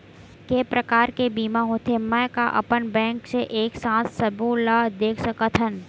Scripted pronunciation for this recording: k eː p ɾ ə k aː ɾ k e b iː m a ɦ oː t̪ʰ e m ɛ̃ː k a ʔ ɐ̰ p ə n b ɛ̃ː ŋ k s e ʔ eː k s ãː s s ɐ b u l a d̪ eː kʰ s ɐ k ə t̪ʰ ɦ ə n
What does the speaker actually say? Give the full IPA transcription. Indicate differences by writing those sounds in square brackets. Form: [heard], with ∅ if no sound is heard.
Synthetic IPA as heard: k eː p ɾ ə k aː ɾ k e b iː m a ɦ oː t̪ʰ e m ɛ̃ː k a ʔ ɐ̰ p ə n b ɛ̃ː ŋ k s e ʔ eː k s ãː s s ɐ b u l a d̪ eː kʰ s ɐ k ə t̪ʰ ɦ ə n